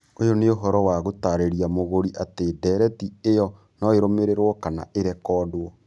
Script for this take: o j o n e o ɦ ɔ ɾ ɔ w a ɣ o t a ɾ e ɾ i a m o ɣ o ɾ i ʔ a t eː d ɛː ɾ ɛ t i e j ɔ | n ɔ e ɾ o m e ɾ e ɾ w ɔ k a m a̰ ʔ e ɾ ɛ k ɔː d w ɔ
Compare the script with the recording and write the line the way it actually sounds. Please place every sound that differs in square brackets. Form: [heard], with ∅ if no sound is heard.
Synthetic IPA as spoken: o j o n e o ɦ ɔ ɾ ɔ w a ɣ o t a ɾ e ɾ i a m o ɣ o ɾ i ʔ a t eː d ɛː ɾ ɛ t i e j ɔ | n ɔ e ɾ o m e ɾ e ɾ w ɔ k a [n] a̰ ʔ e ɾ ɛ k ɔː d w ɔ